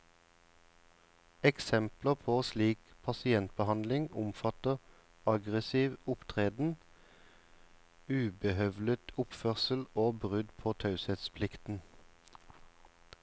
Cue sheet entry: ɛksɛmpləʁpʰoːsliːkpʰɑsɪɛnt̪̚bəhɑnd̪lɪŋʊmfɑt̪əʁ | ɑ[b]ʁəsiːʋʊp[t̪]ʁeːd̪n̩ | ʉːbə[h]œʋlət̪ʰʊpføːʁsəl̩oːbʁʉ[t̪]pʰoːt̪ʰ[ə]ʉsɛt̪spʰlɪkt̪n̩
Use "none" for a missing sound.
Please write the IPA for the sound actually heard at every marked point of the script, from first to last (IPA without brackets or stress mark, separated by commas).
ɡ, t̪ʰ, h, d̪, ɑ